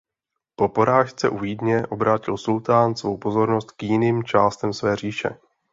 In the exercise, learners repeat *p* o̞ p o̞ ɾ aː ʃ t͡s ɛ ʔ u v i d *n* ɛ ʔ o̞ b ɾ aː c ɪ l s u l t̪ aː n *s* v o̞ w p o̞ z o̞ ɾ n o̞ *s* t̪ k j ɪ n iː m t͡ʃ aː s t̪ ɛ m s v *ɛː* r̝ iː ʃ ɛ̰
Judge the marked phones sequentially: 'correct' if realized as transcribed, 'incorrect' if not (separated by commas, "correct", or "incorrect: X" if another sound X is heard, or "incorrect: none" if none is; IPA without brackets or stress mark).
correct, incorrect: ɲ, correct, correct, correct